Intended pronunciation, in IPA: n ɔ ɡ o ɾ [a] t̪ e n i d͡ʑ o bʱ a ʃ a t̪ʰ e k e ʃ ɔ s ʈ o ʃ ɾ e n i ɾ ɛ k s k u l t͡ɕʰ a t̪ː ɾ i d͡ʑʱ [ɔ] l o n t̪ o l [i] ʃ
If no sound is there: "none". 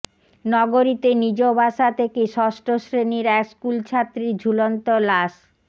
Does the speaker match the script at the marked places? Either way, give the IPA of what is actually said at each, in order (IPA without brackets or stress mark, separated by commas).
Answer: i, u, a